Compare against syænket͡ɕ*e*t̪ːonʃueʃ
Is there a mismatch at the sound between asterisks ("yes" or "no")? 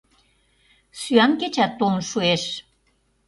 yes